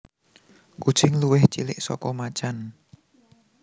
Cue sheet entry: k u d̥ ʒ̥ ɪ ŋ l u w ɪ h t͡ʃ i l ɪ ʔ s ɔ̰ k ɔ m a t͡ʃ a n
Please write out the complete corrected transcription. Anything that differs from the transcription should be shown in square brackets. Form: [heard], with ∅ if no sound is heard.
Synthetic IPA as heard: k u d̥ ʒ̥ ɪ ŋ l u w ɪ h t͡ʃ i l ɪ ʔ s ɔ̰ k ɔ m a t͡ʃ a n